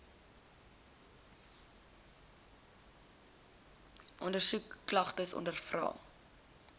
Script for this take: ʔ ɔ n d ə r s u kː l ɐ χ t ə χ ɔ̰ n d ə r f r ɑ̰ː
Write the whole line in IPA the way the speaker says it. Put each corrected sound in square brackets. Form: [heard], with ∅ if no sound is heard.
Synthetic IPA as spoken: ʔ ɔ n d ə r s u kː l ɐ χ t ə [s] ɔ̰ n d ə r f r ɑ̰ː